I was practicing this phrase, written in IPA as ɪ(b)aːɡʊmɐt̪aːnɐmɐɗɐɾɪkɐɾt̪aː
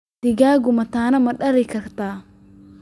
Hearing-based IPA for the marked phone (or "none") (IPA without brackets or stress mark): ɡ